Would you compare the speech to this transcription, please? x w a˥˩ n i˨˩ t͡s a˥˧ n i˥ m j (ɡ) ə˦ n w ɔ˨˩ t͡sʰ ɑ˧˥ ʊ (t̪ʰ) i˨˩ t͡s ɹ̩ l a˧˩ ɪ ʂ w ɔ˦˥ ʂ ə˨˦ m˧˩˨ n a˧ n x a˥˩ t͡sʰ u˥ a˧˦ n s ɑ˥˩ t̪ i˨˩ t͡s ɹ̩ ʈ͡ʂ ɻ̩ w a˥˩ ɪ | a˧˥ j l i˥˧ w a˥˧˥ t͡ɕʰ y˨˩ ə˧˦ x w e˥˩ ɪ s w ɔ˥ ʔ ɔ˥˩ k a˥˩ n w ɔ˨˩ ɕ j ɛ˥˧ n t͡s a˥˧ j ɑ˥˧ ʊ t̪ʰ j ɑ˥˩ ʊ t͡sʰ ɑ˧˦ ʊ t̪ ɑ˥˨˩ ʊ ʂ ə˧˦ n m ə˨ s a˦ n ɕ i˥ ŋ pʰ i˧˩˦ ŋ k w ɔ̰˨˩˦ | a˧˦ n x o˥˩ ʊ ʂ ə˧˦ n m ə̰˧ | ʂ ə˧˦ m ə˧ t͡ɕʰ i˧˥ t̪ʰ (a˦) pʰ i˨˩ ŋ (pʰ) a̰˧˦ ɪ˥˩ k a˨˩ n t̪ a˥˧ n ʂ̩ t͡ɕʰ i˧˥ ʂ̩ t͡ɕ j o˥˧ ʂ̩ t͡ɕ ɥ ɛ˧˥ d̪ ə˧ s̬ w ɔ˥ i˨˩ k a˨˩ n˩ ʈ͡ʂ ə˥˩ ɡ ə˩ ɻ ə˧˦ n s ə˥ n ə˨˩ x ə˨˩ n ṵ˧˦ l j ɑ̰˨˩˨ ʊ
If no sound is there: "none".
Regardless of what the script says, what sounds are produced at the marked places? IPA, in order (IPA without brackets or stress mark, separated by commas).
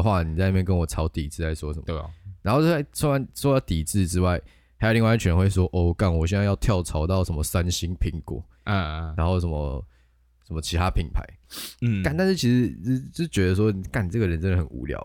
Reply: k, t̪, a˦, pʰ